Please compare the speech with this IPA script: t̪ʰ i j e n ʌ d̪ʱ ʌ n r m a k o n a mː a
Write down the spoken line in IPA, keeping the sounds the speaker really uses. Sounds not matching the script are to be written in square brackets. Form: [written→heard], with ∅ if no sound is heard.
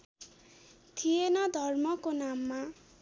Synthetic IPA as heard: t̪ʰ i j e n ʌ d̪ʱ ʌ [n→∅] r m [a→ʌ] k o n a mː a